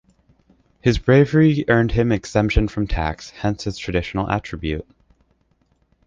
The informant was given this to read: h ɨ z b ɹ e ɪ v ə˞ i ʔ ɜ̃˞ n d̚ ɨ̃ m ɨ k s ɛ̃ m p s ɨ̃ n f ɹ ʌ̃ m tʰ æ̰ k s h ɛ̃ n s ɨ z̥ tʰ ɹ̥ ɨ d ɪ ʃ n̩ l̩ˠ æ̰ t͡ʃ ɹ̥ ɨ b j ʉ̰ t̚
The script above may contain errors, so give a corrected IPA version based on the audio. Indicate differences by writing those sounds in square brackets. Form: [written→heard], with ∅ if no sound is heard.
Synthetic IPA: h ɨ z b ɹ e ɪ v ə˞ i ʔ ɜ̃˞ n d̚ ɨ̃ m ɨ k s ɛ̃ m p [s→ʃ] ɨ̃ n f ɹ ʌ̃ m tʰ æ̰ k s h ɛ̃ n s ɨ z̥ tʰ ɹ̥ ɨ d ɪ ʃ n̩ l̩ˠ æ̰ t͡ʃ ɹ̥ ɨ b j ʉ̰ t̚